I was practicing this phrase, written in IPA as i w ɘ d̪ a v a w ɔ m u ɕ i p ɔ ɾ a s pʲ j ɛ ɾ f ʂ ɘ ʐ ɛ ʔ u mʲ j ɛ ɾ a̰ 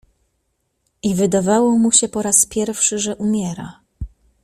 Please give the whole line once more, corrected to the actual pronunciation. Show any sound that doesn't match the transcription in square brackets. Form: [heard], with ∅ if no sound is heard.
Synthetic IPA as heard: i [v] ɘ d̪ a v a w ɔ m u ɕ [ɛ] p ɔ ɾ a s pʲ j ɛ ɾ f ʂ ɘ ʐ ɛ ʔ u mʲ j ɛ ɾ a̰